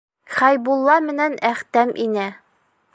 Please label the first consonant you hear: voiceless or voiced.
voiceless